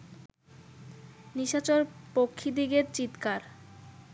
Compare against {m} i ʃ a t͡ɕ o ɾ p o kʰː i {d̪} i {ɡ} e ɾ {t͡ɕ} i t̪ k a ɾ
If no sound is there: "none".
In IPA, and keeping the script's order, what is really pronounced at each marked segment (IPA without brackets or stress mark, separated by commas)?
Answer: n, d̪, ɡ, t͡ɕ